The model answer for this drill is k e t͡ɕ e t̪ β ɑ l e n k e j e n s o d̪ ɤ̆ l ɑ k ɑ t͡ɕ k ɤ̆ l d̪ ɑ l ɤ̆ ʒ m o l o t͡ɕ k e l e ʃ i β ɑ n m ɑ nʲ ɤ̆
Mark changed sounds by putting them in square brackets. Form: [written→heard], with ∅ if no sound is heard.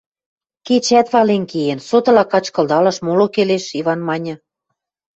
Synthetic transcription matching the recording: k e t͡ɕ [e→æ] t̪ β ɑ l e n k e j e n s o [d̪→t̪] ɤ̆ l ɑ k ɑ t͡ɕ k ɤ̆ l d̪ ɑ l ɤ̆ [ʒ→ʃ] m o l o [t͡ɕ→∅] k e l e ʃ i β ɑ n m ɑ nʲ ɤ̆